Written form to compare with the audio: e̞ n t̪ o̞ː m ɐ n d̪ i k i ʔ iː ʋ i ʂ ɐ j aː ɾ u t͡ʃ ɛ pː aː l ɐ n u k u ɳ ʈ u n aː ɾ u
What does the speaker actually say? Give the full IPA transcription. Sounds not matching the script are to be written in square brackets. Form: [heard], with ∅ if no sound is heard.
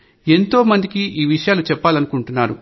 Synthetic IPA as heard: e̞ n t̪ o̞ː m ɐ n d̪ i k i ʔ iː ʋ i ʂ ɐ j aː [l] u t͡ʃ ɛ pː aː l ɐ n u k u ɳ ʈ u [nː] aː ɾ u